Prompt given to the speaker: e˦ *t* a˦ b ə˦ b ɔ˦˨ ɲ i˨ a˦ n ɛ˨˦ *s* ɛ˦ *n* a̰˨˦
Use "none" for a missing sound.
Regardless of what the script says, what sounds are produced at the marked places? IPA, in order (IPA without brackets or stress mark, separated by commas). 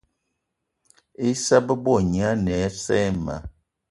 s, s, m